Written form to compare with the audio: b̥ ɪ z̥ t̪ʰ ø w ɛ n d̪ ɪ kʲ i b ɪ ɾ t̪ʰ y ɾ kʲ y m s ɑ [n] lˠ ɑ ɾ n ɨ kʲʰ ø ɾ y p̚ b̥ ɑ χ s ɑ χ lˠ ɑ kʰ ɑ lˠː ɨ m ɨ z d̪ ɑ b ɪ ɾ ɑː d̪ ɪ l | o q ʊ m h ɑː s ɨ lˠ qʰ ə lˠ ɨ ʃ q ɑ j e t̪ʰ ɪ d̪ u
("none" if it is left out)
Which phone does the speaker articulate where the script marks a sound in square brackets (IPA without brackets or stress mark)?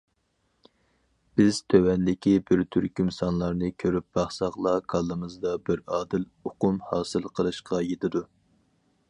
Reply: n